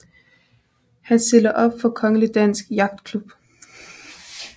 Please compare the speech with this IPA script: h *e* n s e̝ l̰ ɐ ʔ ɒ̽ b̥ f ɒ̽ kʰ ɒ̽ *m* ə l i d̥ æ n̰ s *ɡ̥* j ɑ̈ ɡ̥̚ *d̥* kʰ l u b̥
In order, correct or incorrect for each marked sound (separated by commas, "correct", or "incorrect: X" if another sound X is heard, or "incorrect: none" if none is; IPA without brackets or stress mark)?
incorrect: æ, incorrect: ŋ, correct, correct